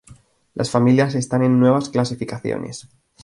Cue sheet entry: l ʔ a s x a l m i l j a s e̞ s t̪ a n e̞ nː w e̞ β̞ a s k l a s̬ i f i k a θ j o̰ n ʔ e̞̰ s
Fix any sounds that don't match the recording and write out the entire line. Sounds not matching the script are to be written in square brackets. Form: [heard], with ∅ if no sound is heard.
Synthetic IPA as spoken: l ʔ a s [f] a [∅] m i l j a s e̞ s t̪ a n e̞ nː w e̞ β̞ a s k l a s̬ i f i k a θ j o̰ n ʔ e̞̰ s